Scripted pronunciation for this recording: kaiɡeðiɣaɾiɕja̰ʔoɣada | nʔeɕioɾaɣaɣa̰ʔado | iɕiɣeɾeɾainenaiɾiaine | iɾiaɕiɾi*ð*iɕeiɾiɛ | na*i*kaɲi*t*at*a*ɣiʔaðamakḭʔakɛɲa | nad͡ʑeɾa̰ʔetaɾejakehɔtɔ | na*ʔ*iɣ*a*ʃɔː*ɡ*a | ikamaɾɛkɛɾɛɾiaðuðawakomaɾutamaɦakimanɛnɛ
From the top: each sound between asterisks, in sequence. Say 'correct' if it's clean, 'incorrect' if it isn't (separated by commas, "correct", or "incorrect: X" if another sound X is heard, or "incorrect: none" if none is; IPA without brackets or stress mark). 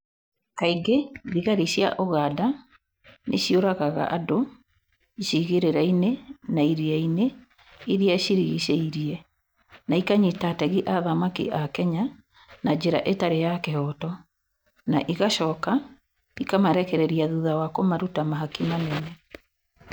incorrect: ɣ, correct, correct, incorrect: ɛ, correct, correct, incorrect: k